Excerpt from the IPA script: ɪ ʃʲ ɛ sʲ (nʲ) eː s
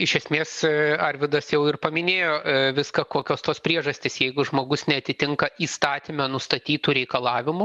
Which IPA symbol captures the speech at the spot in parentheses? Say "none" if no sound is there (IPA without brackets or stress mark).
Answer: mʲ